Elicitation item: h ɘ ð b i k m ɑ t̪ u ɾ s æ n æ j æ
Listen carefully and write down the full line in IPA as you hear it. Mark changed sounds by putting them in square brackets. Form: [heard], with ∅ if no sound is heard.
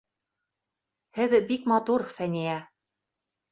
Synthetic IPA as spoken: h ɘ ð b i k m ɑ t̪ u ɾ [f] æ n [i] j æ